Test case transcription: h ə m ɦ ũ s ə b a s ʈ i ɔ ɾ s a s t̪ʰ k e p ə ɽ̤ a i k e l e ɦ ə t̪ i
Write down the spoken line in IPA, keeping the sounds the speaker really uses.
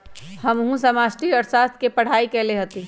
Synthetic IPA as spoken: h ə m ɦ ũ s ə m a s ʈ i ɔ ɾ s a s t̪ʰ k e p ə ɽ̤ a i k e l e ɦ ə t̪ i

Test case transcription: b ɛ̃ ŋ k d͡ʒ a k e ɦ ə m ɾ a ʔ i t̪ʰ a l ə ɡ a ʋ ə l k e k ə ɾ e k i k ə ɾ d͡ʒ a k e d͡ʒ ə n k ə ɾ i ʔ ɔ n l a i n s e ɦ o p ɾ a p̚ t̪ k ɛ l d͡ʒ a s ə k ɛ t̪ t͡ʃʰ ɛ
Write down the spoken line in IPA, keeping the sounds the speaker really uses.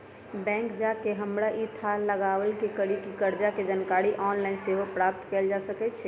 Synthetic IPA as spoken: b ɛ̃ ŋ k d͡ʒ a k e ɦ ə m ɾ a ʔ i t̪ʰ a l ə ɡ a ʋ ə l k e k ə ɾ i k i k ə ɾ d͡ʒ a k e d͡ʒ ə n k a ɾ i ʔ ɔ n l a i n s e ɦ o p ɾ a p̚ t̪ k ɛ l d͡ʒ a s ə k ɛ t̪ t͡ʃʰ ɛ

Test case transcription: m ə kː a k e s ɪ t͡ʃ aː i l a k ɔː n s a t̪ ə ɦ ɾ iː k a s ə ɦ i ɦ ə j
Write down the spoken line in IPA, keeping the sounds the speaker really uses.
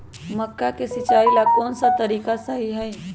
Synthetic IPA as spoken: m ə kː a k e s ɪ t͡ʃ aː i l a k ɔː n s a t̪ ə ɾ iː k a s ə ɦ i ɦ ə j

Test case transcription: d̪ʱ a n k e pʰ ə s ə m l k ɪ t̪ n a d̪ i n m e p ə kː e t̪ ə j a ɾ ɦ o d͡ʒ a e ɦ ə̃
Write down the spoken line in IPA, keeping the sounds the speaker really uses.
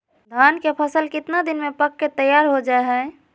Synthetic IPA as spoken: d̪ʱ a n k e pʰ ə s ə l k ɪ t̪ n a d̪ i n m e p ə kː e t̪ ə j a ɾ ɦ o d͡ʒ a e ɦ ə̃

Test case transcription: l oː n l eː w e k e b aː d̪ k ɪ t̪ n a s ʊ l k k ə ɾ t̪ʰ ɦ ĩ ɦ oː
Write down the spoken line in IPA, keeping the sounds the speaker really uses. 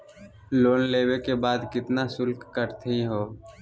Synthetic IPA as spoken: l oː n l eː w e k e b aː d̪ k ɪ t̪ n a s ʊ l k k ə ɾ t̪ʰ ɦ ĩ ɦ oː

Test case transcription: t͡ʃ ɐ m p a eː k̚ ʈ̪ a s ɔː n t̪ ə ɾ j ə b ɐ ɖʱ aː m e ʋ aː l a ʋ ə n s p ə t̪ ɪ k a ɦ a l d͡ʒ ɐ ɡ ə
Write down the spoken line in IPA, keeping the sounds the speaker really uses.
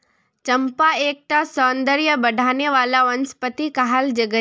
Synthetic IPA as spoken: t͡ʃ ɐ m p a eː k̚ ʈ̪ a s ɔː n d̪ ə ɾ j ə b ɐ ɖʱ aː n e ʋ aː l a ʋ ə n s p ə t̪ i k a ɦ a l d͡ʒ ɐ ɡ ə

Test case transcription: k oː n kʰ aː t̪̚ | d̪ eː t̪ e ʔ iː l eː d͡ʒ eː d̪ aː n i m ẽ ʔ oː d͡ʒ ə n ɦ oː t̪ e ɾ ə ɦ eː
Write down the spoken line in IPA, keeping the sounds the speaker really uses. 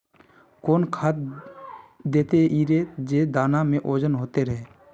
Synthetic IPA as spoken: k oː n kʰ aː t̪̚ | d̪ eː t̪ e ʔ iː ɾ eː d͡ʒ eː d̪ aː n a m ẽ ʔ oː d͡ʒ ə n ɦ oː t̪ e ɾ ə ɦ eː

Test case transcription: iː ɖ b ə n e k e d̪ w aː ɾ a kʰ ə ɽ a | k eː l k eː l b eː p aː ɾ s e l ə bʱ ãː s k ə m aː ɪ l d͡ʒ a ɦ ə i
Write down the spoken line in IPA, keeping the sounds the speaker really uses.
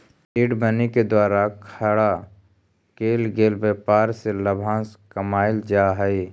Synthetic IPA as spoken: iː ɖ b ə n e k e d̪ w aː ɾ a kʰ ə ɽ a | k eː l ɡ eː l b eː p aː ɾ s e l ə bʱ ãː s k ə m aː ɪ l d͡ʒ a ɦ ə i

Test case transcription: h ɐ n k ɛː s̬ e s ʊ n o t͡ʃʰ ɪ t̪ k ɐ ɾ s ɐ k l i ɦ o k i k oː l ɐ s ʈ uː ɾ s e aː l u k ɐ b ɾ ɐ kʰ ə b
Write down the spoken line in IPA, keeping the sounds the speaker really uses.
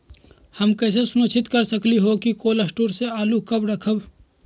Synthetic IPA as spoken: h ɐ m k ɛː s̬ e s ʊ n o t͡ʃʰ ɪ t̪ k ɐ ɾ s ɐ k l i ɦ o k i k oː l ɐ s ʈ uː ɾ s e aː l u k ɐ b ɾ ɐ kʰ ə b

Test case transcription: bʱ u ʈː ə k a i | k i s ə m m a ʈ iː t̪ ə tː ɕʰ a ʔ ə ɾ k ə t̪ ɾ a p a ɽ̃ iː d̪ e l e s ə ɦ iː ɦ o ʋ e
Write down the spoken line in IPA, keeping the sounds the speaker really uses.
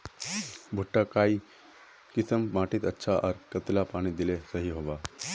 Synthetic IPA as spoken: bʱ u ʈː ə k a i | k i s ə m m a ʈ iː t̪ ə tː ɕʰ a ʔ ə ɾ k ə t̪ l a p a ɽ̃ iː d̪ i l e s ə ɦ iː ɦ o ʋ a

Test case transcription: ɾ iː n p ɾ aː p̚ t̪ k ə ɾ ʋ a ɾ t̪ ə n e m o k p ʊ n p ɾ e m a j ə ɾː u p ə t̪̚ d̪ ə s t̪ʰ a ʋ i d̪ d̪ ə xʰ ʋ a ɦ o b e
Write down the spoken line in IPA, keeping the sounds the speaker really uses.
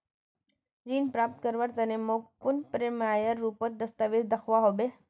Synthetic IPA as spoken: ɾ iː n p ɾ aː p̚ t̪ k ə ɾ ʋ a ɾ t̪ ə n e m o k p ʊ n p ɾ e m a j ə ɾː u p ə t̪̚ d̪ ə s t̪ a ʋ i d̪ d̪ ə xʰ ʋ a ɦ o b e

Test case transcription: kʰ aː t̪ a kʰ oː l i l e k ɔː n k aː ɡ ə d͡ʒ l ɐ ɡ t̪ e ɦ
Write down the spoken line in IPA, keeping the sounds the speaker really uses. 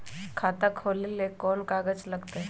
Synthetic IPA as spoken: kʰ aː t̪ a kʰ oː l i l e k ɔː n k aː ɡ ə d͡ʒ l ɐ ɡ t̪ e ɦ

